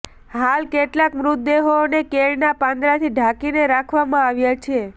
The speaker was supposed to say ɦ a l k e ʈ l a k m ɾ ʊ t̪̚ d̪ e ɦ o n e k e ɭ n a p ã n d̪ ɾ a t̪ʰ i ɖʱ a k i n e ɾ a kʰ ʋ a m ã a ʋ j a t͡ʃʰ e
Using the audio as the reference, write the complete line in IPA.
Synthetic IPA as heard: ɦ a l k e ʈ l a k m ɾ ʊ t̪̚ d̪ e ɦ o n e k e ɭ n a p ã n d̪ ɾ a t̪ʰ i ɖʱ a k i n e ɾ a kʰ ʋ a m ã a ʋ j a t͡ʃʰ e